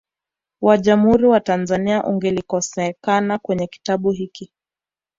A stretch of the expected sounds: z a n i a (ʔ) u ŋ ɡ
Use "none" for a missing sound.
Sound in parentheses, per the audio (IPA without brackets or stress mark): ʔ